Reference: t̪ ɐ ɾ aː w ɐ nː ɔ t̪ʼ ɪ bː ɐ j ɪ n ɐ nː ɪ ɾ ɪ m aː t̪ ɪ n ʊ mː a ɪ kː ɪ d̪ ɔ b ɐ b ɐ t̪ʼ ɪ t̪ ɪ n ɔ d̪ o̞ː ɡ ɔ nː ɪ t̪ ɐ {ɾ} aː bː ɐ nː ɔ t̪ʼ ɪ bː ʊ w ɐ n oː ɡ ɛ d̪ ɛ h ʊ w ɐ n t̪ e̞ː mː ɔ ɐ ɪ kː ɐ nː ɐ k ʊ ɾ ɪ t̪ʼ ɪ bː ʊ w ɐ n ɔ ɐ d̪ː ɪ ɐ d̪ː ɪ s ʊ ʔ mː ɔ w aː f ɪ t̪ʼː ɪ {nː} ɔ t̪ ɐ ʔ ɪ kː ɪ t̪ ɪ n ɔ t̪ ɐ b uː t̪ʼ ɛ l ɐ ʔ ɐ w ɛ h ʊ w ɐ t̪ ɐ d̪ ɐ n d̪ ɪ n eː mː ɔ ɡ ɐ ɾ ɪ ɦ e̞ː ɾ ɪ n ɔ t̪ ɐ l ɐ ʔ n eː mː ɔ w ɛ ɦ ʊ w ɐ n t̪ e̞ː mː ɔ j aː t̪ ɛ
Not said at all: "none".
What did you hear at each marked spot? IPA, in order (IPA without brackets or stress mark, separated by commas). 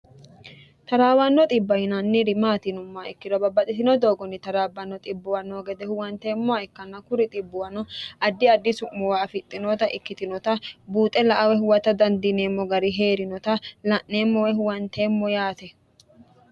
ɾ, n